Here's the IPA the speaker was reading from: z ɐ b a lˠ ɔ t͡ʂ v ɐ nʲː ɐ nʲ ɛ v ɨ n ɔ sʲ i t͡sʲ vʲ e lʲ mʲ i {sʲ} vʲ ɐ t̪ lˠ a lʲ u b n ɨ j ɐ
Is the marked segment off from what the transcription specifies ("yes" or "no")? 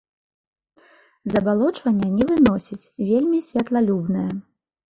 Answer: no